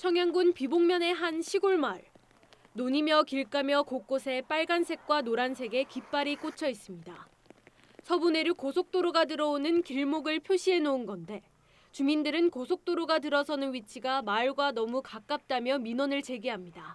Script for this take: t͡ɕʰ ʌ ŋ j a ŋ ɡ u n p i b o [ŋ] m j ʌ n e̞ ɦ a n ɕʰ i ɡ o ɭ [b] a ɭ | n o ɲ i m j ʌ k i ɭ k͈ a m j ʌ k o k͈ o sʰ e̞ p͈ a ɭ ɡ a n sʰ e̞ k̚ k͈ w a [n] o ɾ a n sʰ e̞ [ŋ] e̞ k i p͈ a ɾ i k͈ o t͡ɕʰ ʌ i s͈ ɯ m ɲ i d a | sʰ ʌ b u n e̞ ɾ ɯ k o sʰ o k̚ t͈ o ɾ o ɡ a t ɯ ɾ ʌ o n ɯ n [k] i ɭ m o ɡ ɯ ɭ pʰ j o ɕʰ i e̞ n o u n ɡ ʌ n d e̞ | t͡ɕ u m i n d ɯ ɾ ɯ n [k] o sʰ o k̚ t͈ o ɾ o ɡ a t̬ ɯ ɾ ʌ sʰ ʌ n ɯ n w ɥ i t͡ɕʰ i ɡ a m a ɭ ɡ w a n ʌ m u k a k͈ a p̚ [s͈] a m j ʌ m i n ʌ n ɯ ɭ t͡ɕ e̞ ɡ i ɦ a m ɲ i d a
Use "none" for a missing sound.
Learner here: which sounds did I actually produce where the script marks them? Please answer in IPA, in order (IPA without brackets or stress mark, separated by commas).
ŋ, m, n, ɡ, k, k, t͈